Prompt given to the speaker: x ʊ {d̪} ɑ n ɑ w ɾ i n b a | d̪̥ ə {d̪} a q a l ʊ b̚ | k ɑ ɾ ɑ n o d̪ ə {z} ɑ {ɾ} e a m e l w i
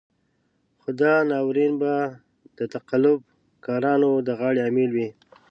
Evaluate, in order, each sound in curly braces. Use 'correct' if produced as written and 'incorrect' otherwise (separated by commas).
correct, incorrect, incorrect, incorrect